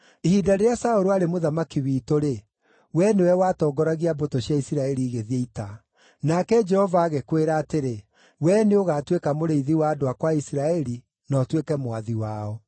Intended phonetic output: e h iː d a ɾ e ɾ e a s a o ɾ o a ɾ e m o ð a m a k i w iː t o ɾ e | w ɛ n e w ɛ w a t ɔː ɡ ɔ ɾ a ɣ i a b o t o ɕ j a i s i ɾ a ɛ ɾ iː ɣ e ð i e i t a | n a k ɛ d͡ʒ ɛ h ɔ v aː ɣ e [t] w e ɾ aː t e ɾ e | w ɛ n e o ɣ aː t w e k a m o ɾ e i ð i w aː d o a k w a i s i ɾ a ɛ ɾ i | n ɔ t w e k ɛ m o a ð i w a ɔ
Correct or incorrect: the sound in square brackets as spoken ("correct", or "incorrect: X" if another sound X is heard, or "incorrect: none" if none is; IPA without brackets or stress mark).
incorrect: k